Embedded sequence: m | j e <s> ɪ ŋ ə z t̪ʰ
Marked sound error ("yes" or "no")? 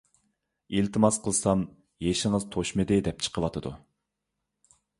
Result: yes